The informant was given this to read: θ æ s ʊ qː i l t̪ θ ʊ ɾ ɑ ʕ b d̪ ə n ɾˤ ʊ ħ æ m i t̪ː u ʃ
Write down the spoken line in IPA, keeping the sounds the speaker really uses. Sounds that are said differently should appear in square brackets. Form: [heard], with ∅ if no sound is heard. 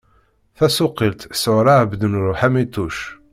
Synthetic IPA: θ æ s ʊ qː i l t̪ [s] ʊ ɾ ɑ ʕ b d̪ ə n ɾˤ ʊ ħ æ m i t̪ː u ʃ